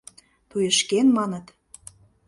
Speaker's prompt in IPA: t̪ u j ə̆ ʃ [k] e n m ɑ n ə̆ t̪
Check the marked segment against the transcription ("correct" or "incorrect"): correct